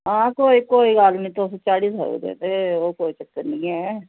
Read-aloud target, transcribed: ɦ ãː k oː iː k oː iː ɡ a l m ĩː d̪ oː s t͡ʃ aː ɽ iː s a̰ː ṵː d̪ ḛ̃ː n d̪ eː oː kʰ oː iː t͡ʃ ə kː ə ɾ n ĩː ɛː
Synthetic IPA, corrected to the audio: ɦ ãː k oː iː k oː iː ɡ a l n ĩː t̪ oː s t͡ʃ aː ɽ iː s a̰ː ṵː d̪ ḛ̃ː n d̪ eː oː k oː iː t͡ʃ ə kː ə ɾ n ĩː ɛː